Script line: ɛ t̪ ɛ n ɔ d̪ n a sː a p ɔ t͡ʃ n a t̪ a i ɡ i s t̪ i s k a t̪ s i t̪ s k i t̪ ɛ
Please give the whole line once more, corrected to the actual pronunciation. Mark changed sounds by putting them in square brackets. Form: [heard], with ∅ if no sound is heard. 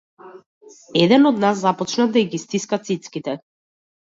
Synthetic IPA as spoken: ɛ [d̪] ɛ n ɔ d̪ n a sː a p ɔ t͡ʃ n a [d̪] a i ɡ i s t̪ i s k a t̪ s i t̪ s k i t̪ ɛ